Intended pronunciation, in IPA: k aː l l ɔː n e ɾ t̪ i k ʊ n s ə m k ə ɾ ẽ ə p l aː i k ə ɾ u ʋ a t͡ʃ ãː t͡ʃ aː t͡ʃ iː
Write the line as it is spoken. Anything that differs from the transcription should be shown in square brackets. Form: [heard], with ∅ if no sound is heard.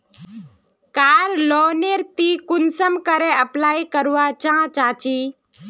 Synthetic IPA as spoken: k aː [ɾ] l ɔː n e ɾ t̪ i k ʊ n s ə m k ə ɾ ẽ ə p l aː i k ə ɾ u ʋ a t͡ʃ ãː t͡ʃ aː t͡ʃ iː